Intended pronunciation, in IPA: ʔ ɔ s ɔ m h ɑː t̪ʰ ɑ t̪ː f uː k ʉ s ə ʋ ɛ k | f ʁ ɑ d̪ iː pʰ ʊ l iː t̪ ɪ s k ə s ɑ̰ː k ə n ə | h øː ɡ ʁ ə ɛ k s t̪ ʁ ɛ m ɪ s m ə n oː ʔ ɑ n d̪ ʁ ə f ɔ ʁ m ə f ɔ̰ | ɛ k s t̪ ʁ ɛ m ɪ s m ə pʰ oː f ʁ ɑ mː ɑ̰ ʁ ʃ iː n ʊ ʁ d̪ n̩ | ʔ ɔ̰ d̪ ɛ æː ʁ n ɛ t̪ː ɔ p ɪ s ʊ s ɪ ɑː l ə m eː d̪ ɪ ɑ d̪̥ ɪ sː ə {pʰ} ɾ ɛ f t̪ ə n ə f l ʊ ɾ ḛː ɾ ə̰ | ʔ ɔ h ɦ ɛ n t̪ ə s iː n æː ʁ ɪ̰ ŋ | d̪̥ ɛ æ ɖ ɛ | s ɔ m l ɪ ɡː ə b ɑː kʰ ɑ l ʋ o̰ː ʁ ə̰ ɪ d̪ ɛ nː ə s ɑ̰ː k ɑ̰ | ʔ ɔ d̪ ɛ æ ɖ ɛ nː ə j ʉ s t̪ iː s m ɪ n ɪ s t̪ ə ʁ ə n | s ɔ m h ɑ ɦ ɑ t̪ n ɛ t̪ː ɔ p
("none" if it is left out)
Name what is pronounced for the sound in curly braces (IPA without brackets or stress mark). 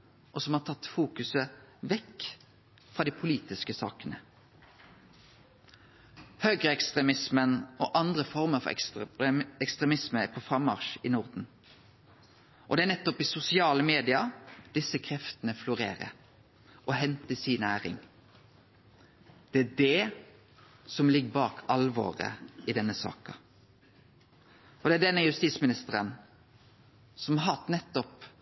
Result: kʰ